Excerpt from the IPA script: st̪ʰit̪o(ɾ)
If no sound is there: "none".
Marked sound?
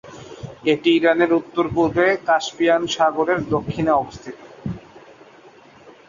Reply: none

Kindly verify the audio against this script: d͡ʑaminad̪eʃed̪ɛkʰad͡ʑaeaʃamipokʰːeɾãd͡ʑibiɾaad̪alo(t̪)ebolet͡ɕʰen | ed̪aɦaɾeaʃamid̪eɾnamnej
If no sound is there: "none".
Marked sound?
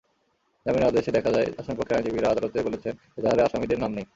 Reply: t̪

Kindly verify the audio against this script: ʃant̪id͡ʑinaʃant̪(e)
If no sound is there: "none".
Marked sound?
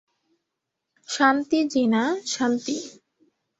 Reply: i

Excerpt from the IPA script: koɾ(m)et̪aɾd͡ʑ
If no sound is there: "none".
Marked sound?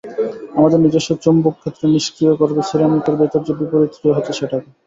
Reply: b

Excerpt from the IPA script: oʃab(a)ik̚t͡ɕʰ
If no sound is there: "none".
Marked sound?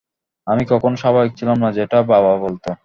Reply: a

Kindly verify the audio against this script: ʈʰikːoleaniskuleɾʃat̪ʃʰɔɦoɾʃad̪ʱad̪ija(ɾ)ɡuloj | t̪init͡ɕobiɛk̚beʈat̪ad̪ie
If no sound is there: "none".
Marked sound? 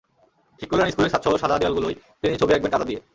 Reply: l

